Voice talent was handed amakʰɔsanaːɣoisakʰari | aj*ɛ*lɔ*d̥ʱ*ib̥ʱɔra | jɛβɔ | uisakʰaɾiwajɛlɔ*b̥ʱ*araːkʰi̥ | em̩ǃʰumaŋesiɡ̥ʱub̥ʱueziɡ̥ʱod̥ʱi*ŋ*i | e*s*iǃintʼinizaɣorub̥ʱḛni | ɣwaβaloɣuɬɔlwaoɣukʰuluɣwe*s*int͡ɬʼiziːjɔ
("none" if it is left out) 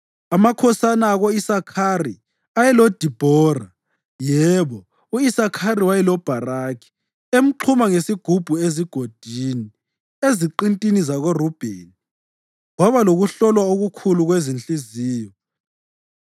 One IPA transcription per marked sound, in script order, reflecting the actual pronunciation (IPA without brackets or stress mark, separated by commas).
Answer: ɛ, d̥ʱ, b̥ʱ, n, z, z